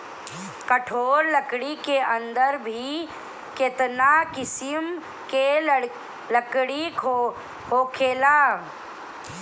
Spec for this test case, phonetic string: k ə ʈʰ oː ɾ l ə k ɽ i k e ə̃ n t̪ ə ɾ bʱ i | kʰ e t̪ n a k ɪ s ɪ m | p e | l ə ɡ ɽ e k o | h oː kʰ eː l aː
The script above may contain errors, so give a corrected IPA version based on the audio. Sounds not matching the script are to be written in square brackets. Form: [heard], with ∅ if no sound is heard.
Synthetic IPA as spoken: k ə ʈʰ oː ɾ l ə k ɽ i k e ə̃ n [d̪] ə ɾ bʱ i | [k] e t̪ n a k ɪ s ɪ m | [k] e | l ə [k] ɽ [i] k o | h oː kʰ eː l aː